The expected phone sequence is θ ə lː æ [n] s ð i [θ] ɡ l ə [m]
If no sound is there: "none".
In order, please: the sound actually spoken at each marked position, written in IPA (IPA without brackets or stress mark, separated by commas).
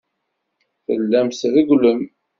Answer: m, none, m